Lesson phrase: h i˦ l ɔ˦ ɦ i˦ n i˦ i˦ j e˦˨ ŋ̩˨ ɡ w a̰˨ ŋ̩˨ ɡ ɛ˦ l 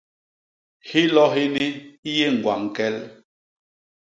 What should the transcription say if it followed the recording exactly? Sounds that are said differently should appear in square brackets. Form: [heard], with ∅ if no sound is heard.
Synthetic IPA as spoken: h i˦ l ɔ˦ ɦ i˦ n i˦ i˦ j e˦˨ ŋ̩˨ ɡ w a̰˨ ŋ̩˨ [k] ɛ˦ l